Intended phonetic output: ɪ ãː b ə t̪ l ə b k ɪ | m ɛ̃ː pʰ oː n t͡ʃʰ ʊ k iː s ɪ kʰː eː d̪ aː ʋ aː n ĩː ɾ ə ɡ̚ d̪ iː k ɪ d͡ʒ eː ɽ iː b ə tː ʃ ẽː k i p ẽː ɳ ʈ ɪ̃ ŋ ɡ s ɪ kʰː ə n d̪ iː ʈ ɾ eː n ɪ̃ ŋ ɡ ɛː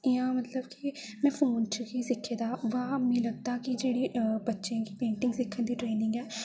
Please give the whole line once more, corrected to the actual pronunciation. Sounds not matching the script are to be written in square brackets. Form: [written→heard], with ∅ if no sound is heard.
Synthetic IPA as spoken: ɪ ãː [b→m] ə t̪ l ə b k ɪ | m ɛ̃ː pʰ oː n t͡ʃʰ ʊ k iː s ɪ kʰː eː d̪ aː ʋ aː [n→m] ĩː [ɾ→l] ə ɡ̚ d̪ [iː→aː] k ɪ d͡ʒ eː ɽ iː b ə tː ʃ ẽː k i p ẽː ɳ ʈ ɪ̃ ŋ ɡ s ɪ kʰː ə n d̪ iː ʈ ɾ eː n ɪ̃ ŋ ɡ ɛː